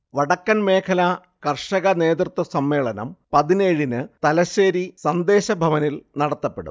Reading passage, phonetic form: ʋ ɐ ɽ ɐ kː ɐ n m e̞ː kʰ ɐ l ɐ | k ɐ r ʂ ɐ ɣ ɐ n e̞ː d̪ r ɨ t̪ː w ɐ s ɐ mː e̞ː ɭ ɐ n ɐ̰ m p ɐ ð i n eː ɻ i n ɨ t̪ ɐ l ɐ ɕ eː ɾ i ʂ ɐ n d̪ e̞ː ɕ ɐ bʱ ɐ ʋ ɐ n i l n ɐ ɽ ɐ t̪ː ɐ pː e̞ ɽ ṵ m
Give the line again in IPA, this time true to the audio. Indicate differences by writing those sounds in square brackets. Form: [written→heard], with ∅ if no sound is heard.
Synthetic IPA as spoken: ʋ ɐ ɽ ɐ kː ɐ n m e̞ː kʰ ɐ l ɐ | k ɐ r ʂ ɐ ɣ ɐ n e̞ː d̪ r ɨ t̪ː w ɐ s ɐ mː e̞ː ɭ ɐ n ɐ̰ m p ɐ ð i n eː ɻ i n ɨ t̪ ɐ l ɐ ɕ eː ɾ i [ʂ→s] ɐ n d̪ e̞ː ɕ ɐ bʱ ɐ ʋ ɐ n i l n ɐ ɽ ɐ t̪ː ɐ pː e̞ ɽ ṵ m